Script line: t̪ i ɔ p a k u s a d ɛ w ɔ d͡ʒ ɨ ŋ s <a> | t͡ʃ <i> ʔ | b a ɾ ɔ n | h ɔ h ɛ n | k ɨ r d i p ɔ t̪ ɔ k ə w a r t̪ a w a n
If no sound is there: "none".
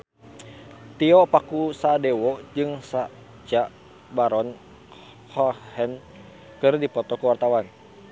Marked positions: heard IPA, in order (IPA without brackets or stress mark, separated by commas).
a, a